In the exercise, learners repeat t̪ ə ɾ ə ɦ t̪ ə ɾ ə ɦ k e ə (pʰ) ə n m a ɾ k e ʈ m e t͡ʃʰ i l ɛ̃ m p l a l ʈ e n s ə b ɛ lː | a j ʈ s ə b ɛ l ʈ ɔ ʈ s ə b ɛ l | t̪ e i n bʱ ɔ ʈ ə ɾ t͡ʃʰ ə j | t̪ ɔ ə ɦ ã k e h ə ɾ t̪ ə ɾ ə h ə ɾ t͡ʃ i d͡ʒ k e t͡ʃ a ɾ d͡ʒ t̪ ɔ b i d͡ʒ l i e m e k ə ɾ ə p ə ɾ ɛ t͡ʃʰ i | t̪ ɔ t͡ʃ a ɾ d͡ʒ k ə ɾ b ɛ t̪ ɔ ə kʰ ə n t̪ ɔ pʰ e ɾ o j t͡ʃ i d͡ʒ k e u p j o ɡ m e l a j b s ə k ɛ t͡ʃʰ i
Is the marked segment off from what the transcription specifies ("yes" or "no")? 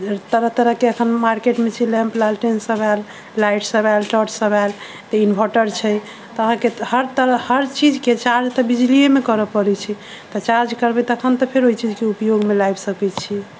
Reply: yes